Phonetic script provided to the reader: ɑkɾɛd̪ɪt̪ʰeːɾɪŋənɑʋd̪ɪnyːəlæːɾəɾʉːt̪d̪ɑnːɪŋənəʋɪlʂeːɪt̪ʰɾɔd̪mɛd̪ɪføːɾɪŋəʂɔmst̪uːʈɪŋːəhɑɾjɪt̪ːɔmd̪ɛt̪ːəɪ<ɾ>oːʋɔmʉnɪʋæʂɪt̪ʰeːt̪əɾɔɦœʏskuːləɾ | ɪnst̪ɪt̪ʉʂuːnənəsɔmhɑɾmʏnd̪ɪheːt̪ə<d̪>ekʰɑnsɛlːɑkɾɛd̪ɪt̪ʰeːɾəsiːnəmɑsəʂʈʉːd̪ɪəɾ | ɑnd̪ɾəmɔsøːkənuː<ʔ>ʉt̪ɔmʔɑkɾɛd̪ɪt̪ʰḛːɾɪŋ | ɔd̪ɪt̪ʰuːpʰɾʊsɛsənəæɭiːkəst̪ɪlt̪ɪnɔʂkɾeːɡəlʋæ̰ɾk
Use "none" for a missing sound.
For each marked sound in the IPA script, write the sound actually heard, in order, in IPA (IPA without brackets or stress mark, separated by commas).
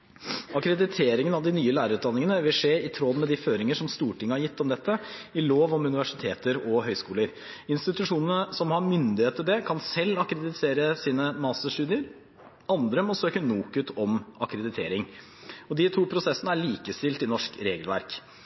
l, d̪, k